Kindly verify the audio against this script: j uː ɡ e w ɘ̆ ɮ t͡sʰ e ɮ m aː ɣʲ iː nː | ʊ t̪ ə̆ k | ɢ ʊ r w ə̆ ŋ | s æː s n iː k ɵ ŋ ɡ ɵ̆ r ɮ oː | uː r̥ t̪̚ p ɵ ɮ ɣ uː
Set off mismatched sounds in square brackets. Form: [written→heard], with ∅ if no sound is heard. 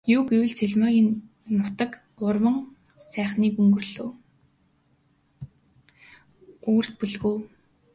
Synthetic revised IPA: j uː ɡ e w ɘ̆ ɮ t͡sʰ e ɮ m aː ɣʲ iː nː | ʊ t̪ ə̆ k | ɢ ʊ r w ə̆ ŋ | s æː [s→χ] n iː k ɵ ŋ ɡ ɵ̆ r ɮ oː | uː r̥ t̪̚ p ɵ ɮ ɣ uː